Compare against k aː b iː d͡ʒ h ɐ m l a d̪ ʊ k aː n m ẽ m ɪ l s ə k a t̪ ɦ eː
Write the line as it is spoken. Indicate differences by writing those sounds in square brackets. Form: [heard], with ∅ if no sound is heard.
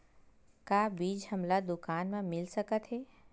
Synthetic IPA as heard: k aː b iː d͡ʒ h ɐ m l a d̪ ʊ k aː n m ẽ m ɪ l s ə k [ə] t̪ ɦ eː